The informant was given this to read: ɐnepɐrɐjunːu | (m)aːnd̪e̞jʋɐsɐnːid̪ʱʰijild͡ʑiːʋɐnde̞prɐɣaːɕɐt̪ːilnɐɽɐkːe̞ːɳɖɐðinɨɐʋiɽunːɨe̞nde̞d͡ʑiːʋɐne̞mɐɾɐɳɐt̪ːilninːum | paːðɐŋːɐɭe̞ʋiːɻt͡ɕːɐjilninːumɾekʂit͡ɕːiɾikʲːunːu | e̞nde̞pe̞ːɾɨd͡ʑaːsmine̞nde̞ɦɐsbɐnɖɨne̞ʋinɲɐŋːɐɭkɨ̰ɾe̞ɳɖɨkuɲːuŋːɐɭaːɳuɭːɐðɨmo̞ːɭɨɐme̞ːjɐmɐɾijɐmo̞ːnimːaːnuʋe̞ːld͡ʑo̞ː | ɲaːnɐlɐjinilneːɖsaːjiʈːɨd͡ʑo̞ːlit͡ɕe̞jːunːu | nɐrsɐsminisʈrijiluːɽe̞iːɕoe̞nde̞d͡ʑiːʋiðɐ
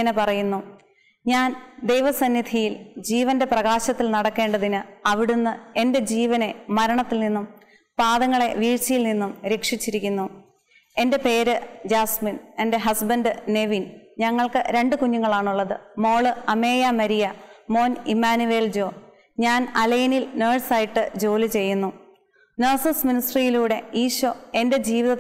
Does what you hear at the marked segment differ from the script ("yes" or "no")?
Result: yes